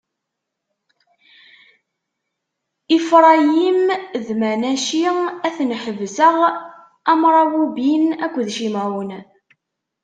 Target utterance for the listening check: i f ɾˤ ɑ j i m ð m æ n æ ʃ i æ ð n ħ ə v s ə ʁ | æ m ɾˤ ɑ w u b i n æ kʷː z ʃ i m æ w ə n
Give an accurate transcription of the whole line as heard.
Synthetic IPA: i f ɾˤ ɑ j i m ð m æ n æ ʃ i æ θ n ħ ə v s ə ʁ | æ m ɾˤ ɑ w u b i n æ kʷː ð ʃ i m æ w ə n